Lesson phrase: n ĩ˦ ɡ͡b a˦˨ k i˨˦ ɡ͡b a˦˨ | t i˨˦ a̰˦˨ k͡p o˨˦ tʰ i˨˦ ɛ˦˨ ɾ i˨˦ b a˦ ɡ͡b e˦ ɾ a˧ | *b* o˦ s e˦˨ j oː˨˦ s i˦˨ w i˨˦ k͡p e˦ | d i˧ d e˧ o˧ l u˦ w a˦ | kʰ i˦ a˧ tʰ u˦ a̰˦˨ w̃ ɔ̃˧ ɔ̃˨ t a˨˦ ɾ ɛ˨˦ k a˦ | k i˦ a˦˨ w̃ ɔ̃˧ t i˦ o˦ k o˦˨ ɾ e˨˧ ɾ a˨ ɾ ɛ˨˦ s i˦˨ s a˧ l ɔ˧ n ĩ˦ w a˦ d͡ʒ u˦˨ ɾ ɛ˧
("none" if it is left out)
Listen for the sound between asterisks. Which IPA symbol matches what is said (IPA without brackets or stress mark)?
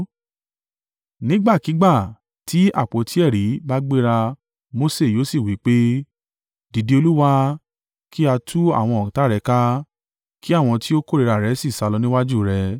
m